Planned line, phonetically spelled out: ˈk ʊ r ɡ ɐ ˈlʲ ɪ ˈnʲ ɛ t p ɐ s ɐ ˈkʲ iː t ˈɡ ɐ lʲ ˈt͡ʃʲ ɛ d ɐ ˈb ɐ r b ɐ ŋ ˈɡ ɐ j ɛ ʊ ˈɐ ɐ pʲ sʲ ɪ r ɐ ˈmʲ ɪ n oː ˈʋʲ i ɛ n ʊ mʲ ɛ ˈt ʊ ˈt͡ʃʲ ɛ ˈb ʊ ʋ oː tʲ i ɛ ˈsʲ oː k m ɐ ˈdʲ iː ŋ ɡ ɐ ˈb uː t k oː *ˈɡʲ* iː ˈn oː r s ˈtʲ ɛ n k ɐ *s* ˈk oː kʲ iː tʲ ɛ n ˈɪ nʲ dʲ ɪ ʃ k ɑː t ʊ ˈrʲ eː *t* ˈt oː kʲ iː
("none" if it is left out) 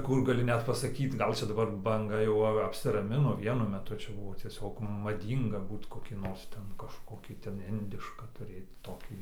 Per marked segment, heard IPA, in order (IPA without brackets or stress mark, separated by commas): kʲ, ʃ, t